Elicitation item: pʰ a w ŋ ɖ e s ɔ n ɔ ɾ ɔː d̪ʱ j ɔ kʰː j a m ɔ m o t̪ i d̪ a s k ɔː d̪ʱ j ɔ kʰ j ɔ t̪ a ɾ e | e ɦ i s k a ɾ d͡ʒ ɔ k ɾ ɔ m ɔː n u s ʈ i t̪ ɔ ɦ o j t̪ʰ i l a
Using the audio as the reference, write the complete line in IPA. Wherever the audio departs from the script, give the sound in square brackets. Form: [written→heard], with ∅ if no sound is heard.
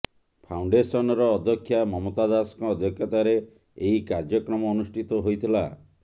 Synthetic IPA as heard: pʰ a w [ŋ→ɳ] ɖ e s ɔ n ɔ ɾ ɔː d̪ʱ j ɔ kʰː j a m ɔ m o t̪ [i→a] d̪ a s k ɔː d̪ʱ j ɔ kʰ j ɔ t̪ a ɾ e | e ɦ i [s→∅] k a ɾ d͡ʒ ɔ k ɾ ɔ m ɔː n u s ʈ i t̪ ɔ ɦ o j t̪ʰ i l a